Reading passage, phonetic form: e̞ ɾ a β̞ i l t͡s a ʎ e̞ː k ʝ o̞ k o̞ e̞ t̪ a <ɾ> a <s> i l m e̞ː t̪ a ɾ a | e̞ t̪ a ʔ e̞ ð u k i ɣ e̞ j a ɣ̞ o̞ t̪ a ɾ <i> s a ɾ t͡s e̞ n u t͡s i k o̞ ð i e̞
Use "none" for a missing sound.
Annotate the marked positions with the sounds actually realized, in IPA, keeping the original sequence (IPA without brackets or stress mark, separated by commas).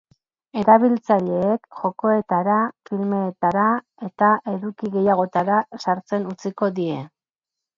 ɾ, f, a